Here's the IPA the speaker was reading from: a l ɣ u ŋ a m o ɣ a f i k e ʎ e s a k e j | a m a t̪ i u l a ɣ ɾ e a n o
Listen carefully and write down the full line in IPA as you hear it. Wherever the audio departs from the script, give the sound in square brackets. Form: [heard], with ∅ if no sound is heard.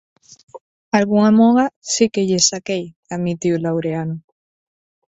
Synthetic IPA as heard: a l ɣ u ŋ a m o ɣ a [s] i k e ʎ e s a k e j | a m [i] t̪ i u l a [w] ɾ e a n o